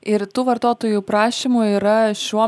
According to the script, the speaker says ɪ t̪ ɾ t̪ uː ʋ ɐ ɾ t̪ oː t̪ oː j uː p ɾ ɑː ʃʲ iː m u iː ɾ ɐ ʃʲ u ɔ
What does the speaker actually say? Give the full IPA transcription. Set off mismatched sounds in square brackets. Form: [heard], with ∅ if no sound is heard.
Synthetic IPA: ɪ [∅] ɾ t̪ uː ʋ ɐ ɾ t̪ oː t̪ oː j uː p ɾ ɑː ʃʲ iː m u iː ɾ ɐ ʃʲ u ɔ